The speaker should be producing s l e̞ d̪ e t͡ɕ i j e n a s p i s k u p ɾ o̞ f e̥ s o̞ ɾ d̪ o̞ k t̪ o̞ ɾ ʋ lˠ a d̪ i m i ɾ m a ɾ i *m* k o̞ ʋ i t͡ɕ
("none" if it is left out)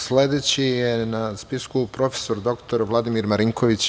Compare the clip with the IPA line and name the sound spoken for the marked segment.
ŋ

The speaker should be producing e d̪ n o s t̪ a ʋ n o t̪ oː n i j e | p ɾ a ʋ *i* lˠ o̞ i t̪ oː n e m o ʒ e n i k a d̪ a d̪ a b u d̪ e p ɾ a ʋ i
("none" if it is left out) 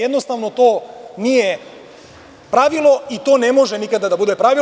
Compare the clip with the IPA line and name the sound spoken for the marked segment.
i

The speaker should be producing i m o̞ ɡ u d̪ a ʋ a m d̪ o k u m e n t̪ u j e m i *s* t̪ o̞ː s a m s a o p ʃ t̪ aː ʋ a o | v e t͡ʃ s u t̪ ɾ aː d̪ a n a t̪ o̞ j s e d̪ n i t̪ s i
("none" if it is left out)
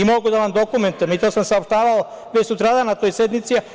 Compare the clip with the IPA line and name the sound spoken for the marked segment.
none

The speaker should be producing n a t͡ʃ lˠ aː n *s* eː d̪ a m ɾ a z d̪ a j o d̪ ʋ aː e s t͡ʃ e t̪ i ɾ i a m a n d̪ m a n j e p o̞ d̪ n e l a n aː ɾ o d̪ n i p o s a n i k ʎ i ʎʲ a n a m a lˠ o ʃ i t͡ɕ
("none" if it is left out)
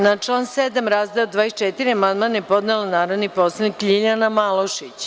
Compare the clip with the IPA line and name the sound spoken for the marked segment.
s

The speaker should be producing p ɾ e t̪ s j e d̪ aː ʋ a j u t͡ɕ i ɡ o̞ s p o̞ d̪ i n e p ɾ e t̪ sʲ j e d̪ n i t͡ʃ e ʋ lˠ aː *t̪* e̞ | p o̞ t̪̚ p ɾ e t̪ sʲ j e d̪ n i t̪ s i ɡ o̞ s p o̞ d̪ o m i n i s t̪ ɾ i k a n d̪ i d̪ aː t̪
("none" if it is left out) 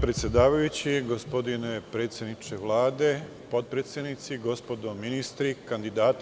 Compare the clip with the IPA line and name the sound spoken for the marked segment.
d̪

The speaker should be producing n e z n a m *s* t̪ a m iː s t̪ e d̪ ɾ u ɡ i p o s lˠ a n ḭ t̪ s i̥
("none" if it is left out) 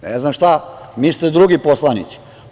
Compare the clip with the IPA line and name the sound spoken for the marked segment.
ʃ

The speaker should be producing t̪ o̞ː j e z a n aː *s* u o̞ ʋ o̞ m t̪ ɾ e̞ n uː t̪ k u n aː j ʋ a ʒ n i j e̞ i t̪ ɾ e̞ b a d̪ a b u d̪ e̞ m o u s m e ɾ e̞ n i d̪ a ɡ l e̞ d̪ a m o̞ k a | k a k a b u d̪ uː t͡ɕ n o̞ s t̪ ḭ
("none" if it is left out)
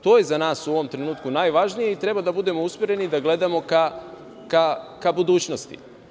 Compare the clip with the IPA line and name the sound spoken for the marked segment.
s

